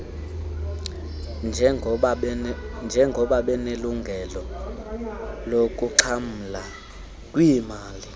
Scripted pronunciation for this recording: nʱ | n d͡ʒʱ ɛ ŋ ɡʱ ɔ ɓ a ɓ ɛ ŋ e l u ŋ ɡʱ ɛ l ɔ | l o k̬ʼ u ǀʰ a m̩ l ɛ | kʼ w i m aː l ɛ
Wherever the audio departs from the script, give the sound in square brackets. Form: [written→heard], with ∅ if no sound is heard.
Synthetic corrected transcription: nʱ | n d͡ʒʱ ɛ ŋ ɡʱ ɔ ɓ a ɓ ɛ [ŋ→n] e l u ŋ ɡʱ ɛ l ɔ | l o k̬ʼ u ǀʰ a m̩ l [ɛ→a] | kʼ w i m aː l [ɛ→i]